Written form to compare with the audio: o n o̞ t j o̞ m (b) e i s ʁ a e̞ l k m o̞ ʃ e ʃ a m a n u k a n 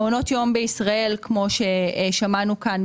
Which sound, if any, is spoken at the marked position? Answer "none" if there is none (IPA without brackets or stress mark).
b